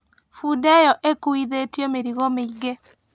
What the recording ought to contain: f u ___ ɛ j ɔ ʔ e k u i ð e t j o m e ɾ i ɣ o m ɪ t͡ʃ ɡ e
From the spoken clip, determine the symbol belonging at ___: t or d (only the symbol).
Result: d